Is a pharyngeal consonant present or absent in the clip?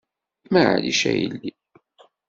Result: present